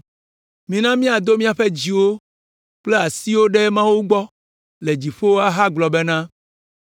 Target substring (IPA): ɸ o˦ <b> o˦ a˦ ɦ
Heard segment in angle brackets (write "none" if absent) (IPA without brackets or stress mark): w